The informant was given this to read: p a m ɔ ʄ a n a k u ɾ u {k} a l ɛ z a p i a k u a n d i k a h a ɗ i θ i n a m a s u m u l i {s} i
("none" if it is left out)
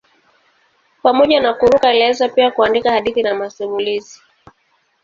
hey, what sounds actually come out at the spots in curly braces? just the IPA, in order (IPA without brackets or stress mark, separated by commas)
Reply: k, z